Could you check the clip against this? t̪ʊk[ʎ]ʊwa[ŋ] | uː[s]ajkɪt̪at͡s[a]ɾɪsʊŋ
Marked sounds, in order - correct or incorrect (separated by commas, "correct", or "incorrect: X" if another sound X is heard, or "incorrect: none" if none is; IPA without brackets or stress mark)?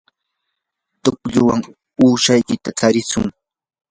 correct, correct, incorrect: ʃ, correct